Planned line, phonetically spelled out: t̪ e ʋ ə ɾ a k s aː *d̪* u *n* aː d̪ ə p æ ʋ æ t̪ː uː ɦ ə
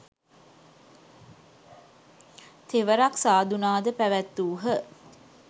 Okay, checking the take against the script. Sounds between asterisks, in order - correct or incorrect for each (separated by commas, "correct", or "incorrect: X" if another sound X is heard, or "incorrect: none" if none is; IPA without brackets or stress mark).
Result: correct, correct